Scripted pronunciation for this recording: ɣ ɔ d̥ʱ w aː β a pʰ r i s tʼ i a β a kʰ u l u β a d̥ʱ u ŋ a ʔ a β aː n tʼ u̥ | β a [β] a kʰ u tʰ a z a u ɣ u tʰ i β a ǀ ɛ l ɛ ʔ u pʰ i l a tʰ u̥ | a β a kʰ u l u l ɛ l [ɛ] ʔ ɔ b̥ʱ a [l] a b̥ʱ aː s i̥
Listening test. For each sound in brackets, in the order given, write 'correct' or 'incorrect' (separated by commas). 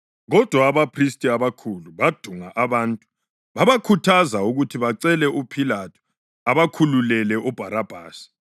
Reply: correct, correct, incorrect